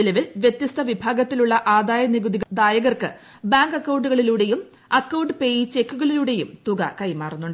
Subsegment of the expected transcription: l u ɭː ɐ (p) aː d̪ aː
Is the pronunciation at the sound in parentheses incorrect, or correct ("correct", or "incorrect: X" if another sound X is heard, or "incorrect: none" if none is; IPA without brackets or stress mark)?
incorrect: ʔ